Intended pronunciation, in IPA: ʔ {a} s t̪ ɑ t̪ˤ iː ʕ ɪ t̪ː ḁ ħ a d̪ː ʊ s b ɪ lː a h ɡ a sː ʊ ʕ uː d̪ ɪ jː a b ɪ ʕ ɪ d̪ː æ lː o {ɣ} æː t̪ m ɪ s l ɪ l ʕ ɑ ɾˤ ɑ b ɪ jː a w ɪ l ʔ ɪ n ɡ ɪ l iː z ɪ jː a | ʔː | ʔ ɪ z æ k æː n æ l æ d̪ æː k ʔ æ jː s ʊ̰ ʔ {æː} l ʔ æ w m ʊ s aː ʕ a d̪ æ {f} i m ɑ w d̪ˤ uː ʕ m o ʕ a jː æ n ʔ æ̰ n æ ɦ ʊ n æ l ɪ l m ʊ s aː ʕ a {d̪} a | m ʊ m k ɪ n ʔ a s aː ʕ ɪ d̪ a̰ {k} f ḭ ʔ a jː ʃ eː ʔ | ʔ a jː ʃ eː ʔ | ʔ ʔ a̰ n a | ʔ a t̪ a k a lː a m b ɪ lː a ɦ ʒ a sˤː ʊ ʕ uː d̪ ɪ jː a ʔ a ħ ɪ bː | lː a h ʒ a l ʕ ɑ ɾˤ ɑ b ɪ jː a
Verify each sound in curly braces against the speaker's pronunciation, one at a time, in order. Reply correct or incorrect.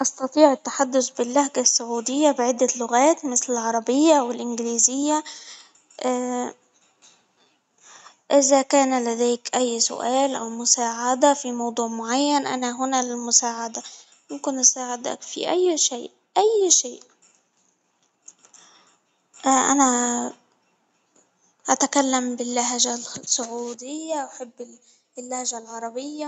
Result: incorrect: ɑ, correct, correct, correct, correct, correct

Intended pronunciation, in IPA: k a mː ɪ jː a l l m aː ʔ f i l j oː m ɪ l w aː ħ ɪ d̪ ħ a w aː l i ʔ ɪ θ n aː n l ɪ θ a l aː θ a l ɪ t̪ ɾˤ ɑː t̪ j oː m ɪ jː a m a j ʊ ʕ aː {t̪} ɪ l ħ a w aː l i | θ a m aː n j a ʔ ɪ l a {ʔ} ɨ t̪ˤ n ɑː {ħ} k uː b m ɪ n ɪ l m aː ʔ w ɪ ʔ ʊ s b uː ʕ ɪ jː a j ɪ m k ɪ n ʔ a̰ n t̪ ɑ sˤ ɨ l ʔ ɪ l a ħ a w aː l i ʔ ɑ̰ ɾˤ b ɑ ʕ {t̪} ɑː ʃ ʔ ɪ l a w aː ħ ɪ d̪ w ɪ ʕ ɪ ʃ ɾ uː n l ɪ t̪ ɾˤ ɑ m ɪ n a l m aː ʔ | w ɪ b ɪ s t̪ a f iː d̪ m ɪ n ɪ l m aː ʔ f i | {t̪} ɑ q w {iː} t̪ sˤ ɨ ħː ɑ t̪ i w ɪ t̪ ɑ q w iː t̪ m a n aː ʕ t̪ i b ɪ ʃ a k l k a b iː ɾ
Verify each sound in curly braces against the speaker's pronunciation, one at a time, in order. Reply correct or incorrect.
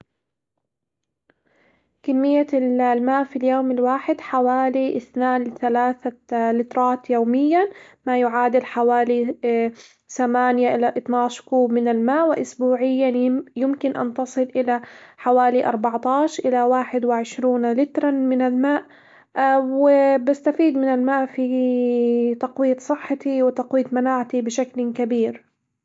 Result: incorrect: d̪, correct, incorrect: ʃ, correct, correct, correct

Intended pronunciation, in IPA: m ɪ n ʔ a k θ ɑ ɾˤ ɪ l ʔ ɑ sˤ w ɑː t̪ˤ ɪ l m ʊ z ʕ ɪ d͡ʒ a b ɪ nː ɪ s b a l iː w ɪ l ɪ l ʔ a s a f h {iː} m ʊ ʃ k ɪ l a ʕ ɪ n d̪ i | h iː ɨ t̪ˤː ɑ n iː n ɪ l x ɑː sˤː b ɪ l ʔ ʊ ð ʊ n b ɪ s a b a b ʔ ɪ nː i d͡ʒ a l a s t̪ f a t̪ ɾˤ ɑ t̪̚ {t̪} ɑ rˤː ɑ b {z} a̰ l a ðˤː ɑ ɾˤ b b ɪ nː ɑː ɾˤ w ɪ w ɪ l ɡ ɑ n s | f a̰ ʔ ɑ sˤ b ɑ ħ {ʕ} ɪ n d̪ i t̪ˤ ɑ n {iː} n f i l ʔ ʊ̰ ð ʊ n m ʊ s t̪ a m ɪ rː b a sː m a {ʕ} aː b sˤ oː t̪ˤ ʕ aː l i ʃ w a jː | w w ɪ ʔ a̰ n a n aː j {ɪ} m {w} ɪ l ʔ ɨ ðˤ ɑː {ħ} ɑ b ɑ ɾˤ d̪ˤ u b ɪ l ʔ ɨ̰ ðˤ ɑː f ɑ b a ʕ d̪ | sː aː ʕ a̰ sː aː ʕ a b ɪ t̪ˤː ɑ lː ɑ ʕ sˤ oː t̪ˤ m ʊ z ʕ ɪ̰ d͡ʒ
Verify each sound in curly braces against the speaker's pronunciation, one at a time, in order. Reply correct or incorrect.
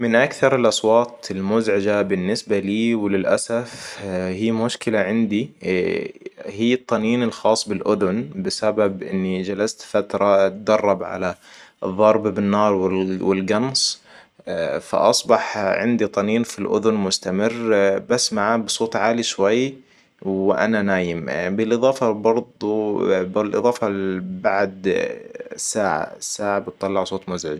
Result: correct, incorrect: d̪, incorrect: ʕ, correct, correct, correct, correct, incorrect: b, incorrect: f

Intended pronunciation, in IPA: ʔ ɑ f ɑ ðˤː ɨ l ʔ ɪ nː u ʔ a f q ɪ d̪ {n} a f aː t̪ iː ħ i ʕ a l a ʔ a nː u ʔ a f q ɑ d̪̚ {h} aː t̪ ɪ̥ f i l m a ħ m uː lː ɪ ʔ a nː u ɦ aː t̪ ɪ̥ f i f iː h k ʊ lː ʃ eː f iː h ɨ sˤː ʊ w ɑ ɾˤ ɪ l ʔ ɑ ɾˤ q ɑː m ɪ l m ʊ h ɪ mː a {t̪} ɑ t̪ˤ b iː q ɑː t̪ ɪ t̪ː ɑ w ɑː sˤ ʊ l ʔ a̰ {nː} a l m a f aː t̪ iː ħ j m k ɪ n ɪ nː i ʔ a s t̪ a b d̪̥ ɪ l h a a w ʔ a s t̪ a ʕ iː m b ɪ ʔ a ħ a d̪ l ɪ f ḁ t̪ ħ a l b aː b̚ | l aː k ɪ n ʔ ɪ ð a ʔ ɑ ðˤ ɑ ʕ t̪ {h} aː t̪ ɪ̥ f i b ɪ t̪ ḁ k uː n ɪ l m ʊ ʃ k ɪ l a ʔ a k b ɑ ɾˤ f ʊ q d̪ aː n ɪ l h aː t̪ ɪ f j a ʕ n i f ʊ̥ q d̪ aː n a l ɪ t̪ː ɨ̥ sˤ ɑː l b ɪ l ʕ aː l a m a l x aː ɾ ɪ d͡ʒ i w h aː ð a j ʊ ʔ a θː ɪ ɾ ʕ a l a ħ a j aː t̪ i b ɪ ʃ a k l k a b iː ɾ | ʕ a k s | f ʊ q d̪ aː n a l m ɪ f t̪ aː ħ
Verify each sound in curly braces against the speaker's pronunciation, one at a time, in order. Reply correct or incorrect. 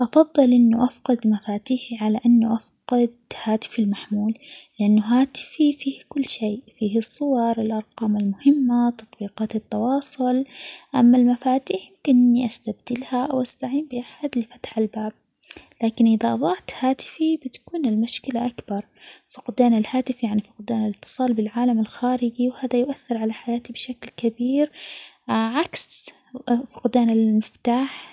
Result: incorrect: m, correct, correct, incorrect: mː, correct

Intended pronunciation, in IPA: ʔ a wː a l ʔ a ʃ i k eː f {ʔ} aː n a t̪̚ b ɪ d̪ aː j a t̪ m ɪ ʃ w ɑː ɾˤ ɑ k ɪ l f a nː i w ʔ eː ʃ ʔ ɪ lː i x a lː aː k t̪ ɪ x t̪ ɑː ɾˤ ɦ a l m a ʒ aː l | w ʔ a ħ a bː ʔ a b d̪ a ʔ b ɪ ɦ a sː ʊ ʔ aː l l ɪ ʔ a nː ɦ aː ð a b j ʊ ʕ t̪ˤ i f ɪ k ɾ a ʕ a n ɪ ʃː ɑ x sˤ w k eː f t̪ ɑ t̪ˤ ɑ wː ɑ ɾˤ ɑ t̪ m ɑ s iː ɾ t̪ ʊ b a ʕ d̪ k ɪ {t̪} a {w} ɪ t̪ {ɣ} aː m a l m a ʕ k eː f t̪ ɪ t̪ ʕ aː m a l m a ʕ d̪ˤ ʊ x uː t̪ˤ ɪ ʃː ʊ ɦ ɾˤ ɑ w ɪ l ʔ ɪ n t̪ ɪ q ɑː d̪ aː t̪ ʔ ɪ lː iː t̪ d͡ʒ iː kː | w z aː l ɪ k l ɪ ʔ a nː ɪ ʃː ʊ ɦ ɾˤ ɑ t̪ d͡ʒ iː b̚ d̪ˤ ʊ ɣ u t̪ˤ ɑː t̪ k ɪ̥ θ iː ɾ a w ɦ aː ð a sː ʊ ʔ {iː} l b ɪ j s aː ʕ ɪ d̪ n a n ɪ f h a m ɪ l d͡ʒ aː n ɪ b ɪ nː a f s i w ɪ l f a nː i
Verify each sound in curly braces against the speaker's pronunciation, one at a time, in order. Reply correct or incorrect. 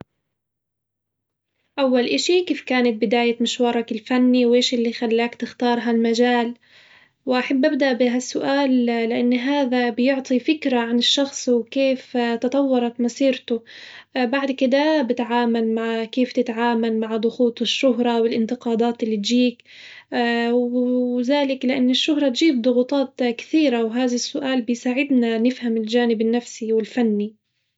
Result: incorrect: k, incorrect: d̪, incorrect: b, incorrect: ʕ, incorrect: aː

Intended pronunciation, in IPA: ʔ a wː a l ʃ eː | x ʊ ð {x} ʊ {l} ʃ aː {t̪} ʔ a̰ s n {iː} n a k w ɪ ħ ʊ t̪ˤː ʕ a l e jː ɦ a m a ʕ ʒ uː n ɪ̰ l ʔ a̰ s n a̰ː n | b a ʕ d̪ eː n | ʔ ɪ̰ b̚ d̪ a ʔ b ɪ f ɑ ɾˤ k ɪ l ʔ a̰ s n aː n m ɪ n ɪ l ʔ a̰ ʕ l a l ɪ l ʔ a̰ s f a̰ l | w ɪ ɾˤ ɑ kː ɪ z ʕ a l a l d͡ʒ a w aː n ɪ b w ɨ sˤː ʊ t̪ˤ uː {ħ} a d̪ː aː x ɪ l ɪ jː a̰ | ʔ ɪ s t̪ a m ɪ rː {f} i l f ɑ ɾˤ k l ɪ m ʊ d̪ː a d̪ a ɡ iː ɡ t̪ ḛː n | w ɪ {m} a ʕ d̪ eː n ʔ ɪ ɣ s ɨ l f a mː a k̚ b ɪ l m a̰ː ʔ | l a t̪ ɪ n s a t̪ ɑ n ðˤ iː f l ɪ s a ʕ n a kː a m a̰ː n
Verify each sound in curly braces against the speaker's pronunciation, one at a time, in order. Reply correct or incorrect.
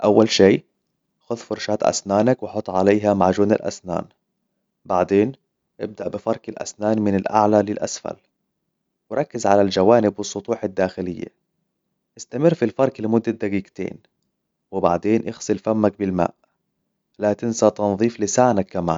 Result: incorrect: f, incorrect: ɾ, correct, incorrect: aː, correct, correct, incorrect: b

